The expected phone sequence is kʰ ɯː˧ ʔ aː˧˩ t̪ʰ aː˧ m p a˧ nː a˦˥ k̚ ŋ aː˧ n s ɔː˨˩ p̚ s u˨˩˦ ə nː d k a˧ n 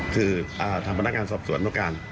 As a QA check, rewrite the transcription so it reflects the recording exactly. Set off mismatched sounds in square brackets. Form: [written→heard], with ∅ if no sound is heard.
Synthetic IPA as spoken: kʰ ɯː˧ ʔ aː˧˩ t̪ʰ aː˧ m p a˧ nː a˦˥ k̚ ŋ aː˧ n s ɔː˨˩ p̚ s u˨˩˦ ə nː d k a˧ n